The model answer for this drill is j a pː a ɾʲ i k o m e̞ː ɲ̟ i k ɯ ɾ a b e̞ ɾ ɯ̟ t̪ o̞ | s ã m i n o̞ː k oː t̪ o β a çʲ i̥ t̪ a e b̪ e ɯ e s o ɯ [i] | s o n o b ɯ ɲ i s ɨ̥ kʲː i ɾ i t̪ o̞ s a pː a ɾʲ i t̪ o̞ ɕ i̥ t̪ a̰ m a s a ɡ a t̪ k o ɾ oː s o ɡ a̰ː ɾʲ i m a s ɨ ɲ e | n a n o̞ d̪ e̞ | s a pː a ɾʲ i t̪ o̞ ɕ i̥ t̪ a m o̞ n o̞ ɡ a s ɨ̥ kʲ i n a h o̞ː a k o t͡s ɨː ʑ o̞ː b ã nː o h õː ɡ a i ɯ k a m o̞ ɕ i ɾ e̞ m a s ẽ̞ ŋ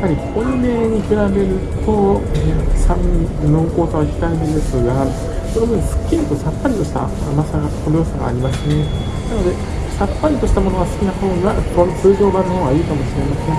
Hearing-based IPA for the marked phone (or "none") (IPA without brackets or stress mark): a